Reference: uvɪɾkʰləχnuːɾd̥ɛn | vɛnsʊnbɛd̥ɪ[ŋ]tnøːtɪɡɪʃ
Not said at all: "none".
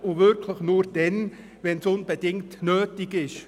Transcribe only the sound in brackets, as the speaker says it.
ŋ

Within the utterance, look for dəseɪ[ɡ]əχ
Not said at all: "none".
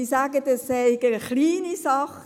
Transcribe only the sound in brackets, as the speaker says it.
ɡ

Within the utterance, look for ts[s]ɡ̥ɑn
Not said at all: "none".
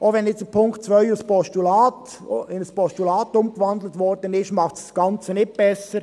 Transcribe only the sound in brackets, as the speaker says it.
s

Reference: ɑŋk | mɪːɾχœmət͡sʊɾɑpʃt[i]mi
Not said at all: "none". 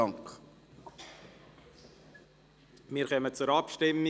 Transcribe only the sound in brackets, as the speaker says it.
ɪ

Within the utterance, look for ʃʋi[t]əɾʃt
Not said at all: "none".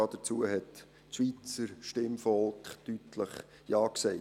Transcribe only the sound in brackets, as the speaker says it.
t͡s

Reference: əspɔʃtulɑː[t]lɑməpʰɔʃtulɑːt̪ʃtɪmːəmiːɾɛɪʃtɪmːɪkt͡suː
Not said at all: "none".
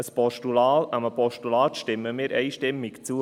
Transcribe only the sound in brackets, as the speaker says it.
none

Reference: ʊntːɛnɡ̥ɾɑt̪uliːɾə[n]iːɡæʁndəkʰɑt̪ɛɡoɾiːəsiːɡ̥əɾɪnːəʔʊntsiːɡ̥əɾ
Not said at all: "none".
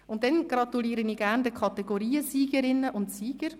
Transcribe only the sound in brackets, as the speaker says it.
n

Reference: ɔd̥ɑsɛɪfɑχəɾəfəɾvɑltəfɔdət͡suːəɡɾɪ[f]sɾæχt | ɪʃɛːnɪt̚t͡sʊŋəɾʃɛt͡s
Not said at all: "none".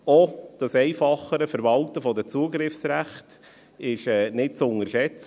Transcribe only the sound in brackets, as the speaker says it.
f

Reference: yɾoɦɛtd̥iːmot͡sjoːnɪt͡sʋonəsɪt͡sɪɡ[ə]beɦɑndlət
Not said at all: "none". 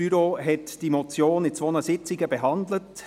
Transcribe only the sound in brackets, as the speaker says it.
ə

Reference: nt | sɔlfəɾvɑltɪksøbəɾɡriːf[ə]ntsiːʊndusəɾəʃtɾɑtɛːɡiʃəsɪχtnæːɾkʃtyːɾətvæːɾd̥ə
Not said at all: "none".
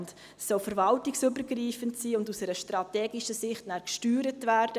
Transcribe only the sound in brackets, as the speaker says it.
ə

